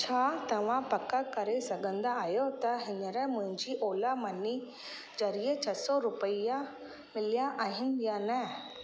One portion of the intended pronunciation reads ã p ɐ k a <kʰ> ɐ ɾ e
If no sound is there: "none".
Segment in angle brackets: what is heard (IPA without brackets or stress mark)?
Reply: k